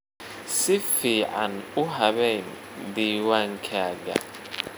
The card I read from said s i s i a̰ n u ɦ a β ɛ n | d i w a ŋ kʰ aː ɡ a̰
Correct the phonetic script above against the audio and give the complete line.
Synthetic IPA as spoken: s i f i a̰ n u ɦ a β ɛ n | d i w a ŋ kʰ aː ɡ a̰